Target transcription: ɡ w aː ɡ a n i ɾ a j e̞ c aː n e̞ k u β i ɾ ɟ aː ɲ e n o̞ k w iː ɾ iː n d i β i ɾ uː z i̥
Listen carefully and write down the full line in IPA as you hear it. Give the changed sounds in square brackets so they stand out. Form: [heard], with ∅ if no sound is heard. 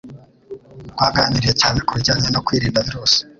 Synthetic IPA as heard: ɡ w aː ɡ a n i ɾ [i] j e̞ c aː n e̞ k u β i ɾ ɟ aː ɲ e n o̞ k w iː ɾ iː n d [a] β i ɾ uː [s] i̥